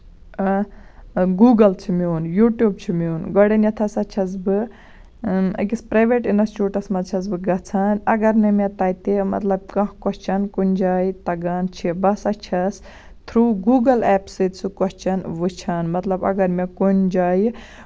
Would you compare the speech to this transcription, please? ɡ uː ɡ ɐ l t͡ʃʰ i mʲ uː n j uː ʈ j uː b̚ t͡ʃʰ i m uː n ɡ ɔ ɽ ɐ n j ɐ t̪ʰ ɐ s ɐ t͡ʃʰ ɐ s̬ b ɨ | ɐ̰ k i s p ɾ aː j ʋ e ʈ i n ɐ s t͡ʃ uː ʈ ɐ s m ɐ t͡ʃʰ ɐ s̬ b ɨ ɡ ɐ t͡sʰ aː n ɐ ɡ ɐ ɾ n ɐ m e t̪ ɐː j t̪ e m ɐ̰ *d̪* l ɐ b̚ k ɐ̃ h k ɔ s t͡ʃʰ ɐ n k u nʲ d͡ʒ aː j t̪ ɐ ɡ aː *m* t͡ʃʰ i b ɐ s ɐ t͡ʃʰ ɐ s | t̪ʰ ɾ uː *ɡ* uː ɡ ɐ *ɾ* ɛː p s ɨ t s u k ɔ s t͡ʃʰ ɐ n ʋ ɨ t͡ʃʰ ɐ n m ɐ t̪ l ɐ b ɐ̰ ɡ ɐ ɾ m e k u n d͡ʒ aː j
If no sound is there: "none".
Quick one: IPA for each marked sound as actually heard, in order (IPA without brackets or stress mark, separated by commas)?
t̪, n, ɡ, l